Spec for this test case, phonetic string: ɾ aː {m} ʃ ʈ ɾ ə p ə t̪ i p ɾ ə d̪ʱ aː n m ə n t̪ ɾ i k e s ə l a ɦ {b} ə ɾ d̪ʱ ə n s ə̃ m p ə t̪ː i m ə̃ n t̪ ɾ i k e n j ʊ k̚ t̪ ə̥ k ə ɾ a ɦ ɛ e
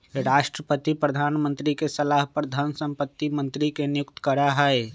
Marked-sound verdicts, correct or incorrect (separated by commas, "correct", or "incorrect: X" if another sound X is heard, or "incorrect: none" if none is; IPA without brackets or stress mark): incorrect: none, incorrect: p